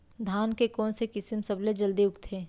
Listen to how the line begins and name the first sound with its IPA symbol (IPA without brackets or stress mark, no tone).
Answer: d̪ʱ